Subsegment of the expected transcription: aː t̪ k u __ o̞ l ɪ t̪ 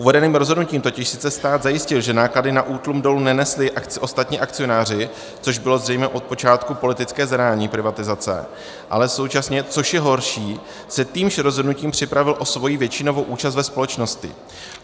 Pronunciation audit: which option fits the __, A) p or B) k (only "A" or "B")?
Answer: A